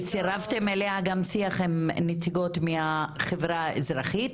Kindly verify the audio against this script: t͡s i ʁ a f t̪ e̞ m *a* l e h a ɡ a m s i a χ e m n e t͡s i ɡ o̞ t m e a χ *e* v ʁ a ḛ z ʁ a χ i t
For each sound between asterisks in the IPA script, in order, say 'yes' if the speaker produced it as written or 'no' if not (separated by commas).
no, yes